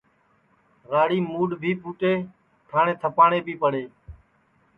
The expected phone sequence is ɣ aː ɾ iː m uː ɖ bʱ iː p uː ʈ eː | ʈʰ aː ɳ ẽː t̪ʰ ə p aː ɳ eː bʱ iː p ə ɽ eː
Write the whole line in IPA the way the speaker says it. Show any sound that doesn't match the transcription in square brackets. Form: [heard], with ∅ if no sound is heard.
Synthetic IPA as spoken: ɣ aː [ɽ] iː m uː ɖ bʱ iː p uː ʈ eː | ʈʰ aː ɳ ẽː t̪ʰ ə p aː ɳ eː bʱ iː p ə ɽ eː